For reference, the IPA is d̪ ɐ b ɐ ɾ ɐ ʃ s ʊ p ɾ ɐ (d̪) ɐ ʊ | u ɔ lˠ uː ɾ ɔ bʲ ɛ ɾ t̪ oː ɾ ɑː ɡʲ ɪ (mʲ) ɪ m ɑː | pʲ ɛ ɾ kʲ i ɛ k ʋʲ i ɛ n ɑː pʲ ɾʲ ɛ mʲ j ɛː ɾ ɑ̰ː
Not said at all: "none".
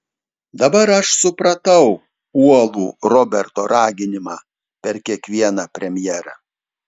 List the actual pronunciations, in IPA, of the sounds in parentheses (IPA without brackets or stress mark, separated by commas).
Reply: t̪, nʲ